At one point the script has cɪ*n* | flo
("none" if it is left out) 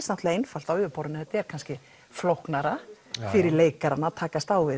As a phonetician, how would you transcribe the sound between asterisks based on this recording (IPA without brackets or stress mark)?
none